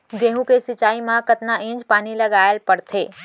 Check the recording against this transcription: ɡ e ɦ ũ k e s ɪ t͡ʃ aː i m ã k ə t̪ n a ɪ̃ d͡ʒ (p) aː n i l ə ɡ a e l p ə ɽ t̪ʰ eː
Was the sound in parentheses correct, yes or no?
yes